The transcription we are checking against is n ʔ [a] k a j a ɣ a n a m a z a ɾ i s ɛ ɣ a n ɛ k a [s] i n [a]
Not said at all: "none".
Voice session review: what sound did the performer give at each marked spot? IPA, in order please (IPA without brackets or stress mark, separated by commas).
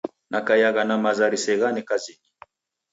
a, z, i